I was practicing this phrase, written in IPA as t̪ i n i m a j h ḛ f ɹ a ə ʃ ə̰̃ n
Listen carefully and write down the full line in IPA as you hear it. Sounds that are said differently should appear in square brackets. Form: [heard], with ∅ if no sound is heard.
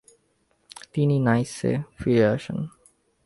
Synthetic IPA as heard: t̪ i n i [n] a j [s] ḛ f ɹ [i] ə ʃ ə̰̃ n